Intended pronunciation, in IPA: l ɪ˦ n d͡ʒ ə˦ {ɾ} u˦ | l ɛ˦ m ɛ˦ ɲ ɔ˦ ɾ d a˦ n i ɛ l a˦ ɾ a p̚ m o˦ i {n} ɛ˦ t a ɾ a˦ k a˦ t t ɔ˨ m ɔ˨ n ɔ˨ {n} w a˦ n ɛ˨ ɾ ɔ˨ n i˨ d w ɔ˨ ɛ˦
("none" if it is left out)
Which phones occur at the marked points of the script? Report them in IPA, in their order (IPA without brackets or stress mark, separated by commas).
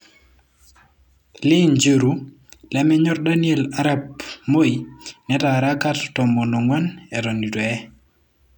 ɾ, n, ŋ